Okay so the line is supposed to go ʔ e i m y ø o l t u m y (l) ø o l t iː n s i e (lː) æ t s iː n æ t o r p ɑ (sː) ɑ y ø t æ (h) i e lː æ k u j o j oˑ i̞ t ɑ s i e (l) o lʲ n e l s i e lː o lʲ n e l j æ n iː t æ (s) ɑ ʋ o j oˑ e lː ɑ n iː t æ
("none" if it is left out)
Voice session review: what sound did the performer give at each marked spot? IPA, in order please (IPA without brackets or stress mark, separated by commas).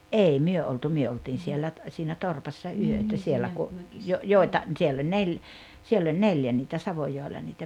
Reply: none, lː, sː, s, lː, s